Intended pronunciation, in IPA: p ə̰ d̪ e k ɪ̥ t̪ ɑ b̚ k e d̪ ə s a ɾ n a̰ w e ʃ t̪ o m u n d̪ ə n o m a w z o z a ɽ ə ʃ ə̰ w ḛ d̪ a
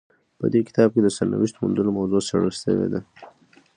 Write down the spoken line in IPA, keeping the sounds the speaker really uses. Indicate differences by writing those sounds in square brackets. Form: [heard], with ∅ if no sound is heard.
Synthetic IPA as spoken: p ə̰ d̪ e k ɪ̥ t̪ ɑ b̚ k e d̪ ə s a ɾ n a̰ w [i] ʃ t̪ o m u n d̪ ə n o m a w z o [s] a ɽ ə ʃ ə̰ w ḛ d̪ a